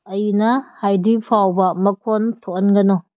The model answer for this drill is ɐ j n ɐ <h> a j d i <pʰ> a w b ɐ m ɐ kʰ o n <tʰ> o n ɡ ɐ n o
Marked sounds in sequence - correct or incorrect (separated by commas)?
correct, correct, correct